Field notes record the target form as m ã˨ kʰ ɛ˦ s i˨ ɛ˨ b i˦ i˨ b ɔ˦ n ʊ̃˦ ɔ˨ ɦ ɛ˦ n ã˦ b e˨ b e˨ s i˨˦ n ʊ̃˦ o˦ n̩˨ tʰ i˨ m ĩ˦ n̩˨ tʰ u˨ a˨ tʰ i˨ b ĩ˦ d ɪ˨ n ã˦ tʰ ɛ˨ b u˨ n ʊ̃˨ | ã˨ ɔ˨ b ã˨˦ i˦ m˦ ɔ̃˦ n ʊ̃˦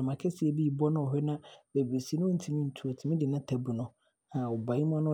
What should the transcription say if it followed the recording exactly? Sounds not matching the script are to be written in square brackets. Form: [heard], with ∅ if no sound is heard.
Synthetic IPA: m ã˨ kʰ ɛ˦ s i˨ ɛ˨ b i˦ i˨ b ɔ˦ n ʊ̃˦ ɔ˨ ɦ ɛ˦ n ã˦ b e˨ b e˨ s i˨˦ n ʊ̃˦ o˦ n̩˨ tʰ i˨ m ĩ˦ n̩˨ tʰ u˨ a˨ tʰ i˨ [m] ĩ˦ d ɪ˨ n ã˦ tʰ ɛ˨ b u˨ n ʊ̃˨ | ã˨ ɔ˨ b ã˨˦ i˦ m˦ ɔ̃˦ n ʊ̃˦